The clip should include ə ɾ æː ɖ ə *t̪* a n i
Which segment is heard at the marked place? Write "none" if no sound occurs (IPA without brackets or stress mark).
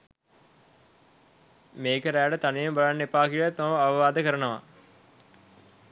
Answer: t̪